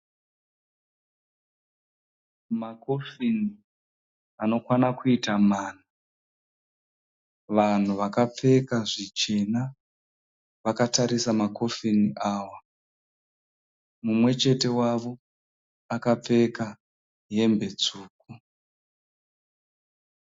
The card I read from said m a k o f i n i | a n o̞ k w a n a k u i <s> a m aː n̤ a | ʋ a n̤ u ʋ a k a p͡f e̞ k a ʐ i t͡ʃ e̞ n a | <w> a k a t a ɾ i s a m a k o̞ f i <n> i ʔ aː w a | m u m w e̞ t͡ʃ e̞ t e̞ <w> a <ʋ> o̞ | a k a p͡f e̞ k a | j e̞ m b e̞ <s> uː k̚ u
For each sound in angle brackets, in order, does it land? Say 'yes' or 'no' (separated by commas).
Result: no, no, yes, yes, yes, no